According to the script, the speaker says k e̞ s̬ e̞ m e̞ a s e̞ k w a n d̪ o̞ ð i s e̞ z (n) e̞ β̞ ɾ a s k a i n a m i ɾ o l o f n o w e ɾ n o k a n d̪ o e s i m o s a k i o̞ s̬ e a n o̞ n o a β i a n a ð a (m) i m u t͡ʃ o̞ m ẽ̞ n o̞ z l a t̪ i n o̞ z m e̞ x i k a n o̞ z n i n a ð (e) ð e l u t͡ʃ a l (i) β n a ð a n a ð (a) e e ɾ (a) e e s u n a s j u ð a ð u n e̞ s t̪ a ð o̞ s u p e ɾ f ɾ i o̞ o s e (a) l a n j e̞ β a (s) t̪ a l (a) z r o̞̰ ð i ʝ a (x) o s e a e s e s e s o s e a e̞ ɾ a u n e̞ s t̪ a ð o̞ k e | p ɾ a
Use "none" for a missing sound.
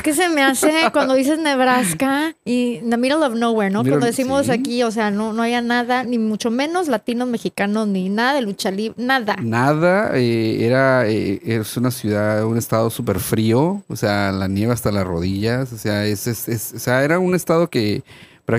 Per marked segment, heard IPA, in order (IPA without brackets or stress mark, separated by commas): n, n, a, i, a, a, a, s, a, s